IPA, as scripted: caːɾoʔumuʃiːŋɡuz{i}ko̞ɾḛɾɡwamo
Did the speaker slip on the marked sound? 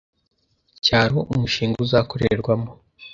yes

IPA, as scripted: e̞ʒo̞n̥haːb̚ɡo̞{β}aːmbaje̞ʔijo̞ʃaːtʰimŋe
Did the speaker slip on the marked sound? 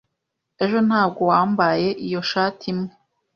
yes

